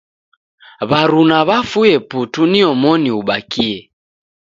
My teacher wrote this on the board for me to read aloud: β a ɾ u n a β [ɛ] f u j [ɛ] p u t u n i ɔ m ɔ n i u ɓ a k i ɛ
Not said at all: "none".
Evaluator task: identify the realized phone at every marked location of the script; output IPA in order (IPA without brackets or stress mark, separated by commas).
a, ɛ